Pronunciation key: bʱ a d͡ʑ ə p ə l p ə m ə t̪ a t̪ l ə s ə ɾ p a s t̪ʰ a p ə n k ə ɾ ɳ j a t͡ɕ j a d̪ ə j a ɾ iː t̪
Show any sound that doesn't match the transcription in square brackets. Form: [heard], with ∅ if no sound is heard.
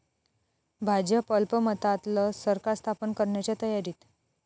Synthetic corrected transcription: bʱ a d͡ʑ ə p ə l p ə m ə t̪ a t̪ l ə s ə ɾ [k] a s t̪ʰ a p ə n k ə ɾ ɳ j a t͡ɕ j a [t̪] ə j a ɾ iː t̪